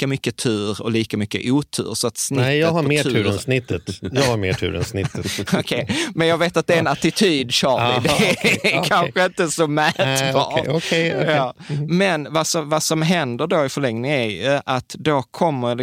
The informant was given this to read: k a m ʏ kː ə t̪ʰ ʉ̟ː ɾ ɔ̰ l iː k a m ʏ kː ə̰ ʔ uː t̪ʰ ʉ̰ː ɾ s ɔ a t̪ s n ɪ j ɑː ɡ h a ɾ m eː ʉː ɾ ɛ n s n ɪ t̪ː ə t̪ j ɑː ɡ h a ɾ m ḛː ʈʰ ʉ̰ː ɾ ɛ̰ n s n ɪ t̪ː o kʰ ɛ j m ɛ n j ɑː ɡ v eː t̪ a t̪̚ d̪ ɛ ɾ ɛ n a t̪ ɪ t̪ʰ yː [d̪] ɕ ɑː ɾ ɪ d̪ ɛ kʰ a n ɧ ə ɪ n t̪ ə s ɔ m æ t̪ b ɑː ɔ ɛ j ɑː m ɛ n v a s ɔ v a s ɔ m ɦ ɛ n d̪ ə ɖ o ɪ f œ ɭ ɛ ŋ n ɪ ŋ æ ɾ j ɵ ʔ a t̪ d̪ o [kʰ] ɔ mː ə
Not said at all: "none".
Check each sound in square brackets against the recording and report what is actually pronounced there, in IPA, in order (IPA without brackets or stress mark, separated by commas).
d̪, kʰ